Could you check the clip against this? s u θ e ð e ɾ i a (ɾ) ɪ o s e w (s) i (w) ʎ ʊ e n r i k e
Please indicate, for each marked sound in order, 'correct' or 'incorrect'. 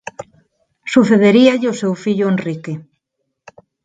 incorrect, incorrect, incorrect

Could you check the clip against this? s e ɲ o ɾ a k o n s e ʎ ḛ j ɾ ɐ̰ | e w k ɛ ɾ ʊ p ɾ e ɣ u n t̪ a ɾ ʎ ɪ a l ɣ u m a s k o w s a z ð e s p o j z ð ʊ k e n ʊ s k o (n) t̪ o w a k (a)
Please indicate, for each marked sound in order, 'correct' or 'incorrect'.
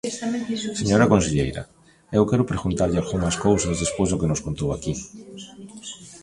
correct, incorrect

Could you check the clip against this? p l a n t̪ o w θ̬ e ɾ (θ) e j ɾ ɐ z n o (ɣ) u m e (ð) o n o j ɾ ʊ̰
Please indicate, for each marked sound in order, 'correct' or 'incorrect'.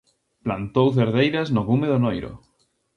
incorrect, correct, correct

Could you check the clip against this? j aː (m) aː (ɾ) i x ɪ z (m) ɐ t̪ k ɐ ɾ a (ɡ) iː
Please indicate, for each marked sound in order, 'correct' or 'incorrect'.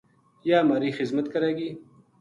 correct, correct, correct, correct

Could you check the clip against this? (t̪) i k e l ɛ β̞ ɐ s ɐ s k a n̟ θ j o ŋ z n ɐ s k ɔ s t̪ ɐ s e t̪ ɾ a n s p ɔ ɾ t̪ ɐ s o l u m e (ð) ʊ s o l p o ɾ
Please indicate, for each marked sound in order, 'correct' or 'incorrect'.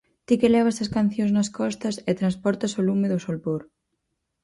correct, correct

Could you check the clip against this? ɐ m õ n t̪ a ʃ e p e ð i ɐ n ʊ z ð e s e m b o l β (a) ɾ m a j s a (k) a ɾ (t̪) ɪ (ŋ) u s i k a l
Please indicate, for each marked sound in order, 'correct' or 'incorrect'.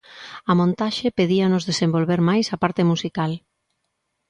incorrect, incorrect, correct, incorrect

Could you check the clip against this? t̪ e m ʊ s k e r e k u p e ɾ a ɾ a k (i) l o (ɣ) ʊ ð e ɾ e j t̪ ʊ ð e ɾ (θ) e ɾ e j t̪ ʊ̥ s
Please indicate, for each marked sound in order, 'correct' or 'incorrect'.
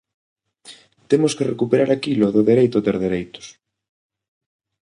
correct, incorrect, incorrect

